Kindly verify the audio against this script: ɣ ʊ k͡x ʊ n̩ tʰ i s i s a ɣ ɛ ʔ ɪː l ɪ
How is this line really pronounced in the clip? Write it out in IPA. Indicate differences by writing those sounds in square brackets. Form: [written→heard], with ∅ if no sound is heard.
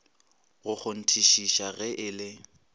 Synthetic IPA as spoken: ɣ ʊ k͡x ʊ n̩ tʰ i [s→ʃ] i [s→ʃ] a ɣ ɛ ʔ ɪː l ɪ